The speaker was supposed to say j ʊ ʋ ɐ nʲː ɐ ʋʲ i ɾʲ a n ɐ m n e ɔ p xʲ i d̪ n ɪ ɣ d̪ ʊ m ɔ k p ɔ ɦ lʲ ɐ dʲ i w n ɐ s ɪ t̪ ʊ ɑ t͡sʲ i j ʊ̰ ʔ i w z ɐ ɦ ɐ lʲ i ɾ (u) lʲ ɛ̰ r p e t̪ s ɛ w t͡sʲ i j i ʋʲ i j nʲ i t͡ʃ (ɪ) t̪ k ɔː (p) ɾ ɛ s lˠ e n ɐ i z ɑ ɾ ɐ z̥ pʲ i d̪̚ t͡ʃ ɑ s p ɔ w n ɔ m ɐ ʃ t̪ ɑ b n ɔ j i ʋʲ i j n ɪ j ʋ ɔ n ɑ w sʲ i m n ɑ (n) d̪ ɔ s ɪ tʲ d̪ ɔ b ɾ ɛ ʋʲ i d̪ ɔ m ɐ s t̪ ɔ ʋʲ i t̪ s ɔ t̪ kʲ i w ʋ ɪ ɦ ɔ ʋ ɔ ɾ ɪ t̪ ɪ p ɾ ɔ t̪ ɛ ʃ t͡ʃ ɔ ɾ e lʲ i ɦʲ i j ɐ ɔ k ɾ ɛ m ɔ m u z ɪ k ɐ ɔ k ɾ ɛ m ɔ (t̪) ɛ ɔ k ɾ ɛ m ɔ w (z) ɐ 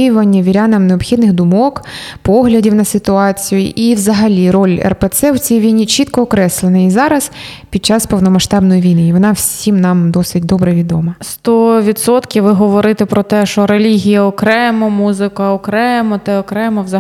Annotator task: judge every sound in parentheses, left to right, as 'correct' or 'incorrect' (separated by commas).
incorrect, incorrect, incorrect, incorrect, correct, correct